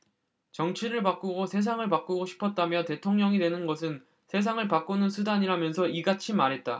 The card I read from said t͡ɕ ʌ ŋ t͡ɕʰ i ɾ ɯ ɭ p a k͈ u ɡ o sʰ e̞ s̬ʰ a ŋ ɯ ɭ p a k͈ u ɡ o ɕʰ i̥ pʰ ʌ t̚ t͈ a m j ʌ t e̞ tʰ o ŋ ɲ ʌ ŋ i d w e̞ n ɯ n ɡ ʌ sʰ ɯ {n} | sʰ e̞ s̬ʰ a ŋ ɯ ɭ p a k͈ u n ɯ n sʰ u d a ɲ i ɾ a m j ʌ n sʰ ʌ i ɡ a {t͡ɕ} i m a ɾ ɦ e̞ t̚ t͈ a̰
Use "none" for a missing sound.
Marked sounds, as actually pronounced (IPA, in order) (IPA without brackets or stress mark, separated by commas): n, t͡ɕʰ